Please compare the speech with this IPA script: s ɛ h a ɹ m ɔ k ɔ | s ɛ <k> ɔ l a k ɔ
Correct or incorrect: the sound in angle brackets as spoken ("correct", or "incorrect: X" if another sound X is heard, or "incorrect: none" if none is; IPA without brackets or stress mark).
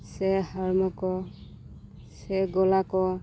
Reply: incorrect: ɡ